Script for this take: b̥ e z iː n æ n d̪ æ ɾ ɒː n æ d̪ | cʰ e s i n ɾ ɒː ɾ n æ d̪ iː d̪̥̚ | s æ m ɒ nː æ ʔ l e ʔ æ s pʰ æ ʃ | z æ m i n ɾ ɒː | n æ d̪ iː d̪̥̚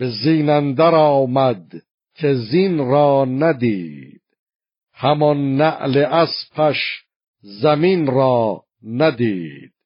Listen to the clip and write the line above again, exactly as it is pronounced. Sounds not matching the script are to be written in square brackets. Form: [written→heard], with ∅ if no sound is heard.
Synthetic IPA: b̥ e z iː n æ n d̪ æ ɾ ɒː [n→m] æ d̪ | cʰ e [s→z] i n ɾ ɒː [ɾ→∅] n æ d̪ iː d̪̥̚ | [s→h] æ m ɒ nː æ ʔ l e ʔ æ s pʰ æ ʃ | z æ m i n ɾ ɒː | n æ d̪ iː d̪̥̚